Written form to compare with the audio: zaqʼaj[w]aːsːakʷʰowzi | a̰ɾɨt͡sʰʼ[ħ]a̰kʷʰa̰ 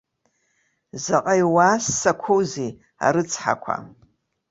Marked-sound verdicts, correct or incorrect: correct, correct

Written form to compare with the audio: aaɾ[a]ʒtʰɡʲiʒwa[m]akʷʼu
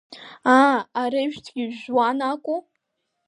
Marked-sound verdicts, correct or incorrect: incorrect, incorrect

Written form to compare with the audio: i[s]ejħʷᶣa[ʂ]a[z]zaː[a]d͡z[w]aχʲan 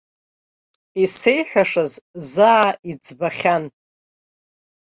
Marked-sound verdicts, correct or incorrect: correct, correct, correct, incorrect, incorrect

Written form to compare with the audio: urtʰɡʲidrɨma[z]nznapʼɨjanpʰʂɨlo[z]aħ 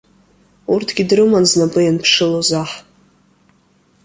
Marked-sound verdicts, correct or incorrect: incorrect, correct

